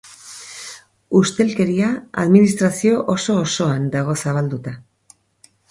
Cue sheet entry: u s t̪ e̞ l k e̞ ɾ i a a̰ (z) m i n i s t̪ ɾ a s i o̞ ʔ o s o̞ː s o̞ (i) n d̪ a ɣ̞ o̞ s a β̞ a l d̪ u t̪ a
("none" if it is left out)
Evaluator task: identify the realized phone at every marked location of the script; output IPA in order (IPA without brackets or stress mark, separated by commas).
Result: ð, a